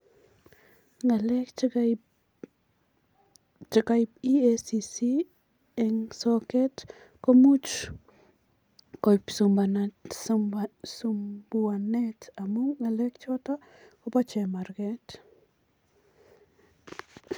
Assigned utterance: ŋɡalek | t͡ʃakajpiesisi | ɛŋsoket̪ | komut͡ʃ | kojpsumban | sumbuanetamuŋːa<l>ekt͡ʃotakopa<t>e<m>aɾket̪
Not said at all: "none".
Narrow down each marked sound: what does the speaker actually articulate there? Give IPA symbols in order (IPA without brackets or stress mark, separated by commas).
l, t͡ʃ, m